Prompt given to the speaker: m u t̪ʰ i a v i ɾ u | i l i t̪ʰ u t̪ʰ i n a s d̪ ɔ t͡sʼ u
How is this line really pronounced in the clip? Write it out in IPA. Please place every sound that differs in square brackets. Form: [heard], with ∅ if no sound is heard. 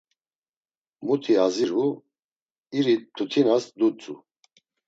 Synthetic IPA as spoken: m u t̪ʰ i a [z] i ɾ u | i [ɾ] i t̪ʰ u t̪ʰ i n a s d̪ [u] t͡sʼ u